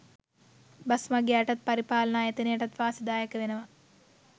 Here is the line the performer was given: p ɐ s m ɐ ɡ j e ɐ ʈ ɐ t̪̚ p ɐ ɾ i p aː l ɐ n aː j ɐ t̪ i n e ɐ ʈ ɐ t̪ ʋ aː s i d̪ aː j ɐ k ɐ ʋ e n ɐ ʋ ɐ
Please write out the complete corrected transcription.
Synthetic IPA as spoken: b ɐ s m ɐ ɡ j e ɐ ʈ ɐ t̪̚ p ɐ ɾ i p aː l ɐ n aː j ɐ t̪ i n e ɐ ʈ ɐ t̪ ʋ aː s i d̪ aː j ɐ k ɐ ʋ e n ɐ ʋ ɐ